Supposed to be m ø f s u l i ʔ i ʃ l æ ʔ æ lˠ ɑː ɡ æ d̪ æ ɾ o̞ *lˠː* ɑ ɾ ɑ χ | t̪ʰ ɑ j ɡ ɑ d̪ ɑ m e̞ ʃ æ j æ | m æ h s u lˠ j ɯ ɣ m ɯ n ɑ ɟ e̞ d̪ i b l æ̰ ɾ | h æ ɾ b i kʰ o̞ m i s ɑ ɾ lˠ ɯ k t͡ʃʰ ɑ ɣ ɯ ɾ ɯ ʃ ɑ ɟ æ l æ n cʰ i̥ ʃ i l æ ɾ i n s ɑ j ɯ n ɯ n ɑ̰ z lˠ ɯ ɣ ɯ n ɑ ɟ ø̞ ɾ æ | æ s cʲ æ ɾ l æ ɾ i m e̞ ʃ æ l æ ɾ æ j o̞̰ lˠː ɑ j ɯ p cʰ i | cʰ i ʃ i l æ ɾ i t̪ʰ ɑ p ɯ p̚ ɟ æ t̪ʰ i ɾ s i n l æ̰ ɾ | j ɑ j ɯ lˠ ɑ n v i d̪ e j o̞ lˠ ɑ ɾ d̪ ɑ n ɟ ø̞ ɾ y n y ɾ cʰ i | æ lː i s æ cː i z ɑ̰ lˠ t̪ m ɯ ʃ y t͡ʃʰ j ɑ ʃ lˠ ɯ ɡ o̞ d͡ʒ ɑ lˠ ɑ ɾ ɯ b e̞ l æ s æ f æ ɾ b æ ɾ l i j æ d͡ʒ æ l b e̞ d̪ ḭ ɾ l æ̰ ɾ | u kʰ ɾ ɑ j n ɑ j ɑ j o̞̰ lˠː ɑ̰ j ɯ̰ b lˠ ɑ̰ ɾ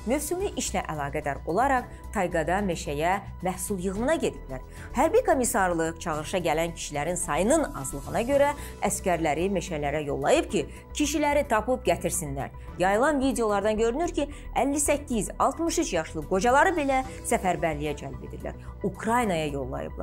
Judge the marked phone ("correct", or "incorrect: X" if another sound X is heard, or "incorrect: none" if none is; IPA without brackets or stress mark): incorrect: lˠ